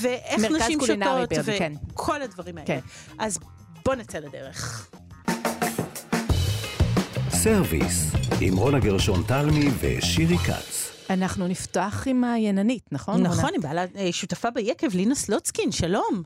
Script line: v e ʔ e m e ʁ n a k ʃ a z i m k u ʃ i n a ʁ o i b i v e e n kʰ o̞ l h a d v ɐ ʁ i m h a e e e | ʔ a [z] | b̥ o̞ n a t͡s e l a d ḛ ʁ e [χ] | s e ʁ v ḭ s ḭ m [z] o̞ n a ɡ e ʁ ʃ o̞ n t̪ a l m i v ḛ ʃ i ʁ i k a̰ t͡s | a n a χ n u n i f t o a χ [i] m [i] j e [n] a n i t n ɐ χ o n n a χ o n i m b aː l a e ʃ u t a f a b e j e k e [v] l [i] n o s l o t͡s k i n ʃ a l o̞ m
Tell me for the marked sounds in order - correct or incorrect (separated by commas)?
correct, correct, incorrect, correct, incorrect, correct, correct, correct